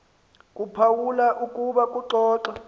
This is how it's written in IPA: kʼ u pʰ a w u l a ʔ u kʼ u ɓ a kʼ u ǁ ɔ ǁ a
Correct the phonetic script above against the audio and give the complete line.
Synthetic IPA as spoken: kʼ u pʰ a w u l a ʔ u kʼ u ɓ a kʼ u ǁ ɔː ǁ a